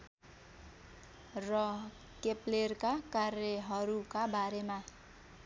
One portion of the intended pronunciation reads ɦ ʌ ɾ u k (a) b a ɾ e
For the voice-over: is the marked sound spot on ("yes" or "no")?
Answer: yes